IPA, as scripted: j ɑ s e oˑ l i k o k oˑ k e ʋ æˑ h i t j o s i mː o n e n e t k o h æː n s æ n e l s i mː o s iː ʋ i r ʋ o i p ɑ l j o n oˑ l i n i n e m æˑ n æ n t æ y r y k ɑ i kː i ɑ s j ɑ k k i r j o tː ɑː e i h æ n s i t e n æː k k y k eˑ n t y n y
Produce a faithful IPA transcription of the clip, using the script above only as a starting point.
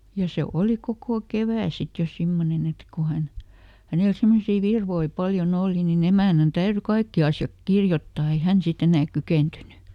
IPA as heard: j ɑ s e oˑ l i k o k oˑ k e ʋ æˑ s i t j o s i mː o n e n e t k o h æ n h æ n e l s i mː o s iː ʋ i r ʋ o i p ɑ l j o n oˑ l i n i n e m æˑ n æ n t æ y r y k ɑ i kː i ɑ s j ɑ k k i r j o tː ɑː e i h æ n s i t e n æː k k y k eˑ n t y n y